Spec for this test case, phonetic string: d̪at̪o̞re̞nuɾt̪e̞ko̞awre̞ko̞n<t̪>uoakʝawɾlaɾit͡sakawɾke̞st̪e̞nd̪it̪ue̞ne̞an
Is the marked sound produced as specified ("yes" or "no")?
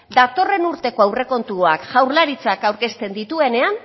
yes